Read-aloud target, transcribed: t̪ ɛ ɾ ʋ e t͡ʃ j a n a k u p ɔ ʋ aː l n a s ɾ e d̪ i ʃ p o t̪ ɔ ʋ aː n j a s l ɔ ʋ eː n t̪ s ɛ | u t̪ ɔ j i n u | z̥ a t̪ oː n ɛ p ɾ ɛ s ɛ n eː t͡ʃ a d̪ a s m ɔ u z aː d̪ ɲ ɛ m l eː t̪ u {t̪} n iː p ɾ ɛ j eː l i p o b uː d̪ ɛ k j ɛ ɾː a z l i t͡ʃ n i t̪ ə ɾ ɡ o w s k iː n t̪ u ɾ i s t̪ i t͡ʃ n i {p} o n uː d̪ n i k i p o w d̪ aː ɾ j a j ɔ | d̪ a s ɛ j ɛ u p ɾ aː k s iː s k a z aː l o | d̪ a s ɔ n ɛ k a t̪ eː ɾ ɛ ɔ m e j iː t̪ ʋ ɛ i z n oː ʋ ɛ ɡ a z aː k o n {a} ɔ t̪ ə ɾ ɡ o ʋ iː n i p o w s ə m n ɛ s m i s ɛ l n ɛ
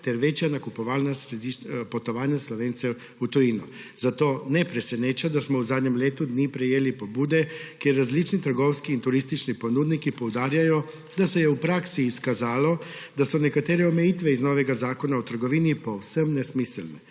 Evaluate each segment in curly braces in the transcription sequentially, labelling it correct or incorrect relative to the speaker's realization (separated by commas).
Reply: incorrect, correct, correct